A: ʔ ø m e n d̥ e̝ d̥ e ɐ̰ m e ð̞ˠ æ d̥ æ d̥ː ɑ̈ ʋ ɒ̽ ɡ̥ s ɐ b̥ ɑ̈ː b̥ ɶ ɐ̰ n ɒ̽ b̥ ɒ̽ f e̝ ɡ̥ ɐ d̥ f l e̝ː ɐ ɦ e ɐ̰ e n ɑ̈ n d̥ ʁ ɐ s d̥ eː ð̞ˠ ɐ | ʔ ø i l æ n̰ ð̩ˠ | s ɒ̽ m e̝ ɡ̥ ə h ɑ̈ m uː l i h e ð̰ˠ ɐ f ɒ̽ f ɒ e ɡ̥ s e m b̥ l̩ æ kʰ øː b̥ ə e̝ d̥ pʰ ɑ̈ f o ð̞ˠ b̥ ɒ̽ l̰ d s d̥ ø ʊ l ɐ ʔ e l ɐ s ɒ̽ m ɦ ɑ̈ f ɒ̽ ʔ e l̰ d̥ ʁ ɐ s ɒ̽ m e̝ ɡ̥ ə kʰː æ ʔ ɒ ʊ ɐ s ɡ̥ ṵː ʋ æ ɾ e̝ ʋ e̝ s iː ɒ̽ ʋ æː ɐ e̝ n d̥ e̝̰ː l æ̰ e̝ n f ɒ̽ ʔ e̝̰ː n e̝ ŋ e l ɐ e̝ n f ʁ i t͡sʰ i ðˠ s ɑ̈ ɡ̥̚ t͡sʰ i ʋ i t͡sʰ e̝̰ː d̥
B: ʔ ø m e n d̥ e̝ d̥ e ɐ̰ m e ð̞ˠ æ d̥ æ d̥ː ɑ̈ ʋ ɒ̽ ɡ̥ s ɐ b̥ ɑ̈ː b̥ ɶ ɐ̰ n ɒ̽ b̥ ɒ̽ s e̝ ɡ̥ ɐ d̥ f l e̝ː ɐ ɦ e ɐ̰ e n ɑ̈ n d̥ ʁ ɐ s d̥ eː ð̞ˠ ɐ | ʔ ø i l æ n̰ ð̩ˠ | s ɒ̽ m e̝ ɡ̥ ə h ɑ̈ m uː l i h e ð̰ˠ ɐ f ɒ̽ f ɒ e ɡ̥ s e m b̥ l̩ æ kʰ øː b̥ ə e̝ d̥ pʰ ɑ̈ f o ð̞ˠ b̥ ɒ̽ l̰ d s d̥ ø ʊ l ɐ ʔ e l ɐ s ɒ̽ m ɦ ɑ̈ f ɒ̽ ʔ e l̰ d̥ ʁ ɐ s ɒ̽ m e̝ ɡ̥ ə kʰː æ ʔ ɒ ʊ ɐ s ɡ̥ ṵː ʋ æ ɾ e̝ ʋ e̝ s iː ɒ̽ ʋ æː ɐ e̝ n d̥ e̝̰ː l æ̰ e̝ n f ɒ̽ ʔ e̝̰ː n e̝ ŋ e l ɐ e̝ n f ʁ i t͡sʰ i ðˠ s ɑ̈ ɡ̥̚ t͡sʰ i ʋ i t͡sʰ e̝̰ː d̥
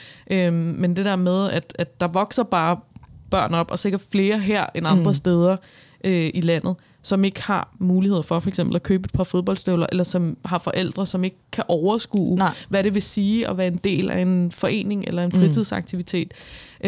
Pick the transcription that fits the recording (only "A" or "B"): B